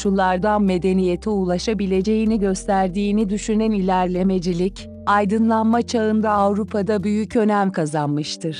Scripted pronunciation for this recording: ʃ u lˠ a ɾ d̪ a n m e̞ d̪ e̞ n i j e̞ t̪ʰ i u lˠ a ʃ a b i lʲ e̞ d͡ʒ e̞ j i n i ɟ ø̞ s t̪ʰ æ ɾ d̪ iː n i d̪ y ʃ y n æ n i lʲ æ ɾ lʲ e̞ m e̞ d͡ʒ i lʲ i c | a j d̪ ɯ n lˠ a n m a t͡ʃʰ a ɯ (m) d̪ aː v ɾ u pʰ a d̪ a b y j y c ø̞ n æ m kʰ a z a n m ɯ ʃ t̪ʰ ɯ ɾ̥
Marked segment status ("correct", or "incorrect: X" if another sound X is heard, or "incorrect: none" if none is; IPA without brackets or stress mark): incorrect: n